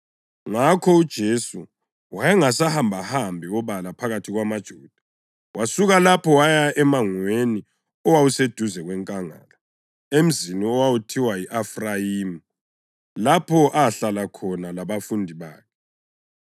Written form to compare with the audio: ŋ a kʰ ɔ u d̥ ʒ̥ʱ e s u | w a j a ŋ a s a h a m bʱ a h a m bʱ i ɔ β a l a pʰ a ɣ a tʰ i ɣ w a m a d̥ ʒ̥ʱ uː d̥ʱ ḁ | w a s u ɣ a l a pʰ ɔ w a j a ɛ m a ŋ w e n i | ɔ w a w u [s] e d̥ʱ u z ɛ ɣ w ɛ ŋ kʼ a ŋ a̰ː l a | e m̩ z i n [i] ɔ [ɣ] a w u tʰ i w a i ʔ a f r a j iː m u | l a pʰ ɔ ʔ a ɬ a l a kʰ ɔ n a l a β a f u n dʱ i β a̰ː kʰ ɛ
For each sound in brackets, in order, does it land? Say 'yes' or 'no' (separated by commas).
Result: yes, yes, no